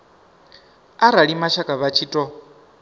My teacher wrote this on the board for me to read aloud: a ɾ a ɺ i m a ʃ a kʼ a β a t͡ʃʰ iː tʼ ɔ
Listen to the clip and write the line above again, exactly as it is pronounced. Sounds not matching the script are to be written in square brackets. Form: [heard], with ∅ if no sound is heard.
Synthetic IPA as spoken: a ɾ a ɺ i m a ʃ a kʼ a β a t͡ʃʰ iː tʼ ɔ